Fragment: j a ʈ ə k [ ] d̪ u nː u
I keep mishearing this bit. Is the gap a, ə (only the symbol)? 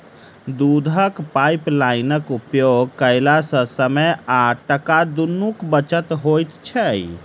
a